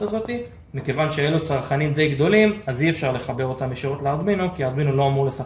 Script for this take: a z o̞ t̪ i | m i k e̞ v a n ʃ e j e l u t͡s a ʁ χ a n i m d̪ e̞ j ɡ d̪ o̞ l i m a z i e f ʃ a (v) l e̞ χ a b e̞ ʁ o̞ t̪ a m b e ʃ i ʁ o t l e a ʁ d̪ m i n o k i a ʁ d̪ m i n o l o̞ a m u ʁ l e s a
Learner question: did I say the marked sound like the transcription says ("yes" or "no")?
no